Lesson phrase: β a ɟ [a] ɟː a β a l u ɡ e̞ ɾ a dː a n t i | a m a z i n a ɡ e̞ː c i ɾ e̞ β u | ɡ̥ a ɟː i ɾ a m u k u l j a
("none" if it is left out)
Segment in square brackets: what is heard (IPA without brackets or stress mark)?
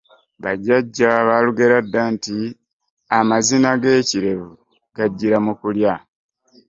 a